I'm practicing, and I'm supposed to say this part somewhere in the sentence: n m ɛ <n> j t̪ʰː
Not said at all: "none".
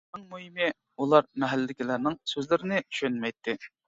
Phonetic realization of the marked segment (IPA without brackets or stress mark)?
none